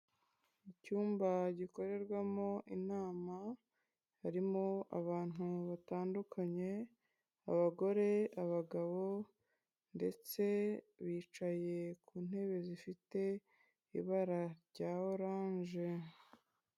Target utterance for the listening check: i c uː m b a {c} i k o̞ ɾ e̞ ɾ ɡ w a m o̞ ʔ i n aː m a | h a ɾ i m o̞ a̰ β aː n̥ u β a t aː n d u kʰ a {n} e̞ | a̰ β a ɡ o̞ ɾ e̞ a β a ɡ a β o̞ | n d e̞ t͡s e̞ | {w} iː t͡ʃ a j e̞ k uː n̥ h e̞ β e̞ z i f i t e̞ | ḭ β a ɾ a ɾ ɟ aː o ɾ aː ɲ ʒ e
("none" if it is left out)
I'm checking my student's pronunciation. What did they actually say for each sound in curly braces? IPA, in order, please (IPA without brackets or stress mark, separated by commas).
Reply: ɟ, ɲ, β